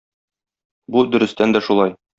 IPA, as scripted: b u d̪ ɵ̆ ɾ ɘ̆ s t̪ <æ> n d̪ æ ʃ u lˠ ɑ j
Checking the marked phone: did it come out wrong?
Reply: no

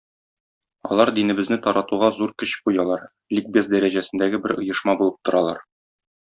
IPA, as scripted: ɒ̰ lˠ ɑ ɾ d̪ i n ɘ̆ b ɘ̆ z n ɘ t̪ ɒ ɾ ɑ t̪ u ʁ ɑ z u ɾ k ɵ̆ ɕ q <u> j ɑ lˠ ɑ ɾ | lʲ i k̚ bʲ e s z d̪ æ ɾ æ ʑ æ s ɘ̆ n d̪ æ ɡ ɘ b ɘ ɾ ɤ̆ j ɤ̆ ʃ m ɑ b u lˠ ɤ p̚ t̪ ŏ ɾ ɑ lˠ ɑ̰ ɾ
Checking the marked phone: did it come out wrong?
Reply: no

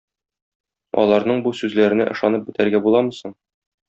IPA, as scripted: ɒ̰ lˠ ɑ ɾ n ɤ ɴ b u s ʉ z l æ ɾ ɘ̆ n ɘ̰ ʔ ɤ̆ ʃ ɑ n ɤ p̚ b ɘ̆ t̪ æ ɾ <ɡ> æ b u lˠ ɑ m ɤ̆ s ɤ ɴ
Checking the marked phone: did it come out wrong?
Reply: no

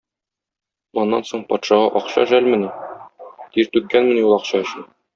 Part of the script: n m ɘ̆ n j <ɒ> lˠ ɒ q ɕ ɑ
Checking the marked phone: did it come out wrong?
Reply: yes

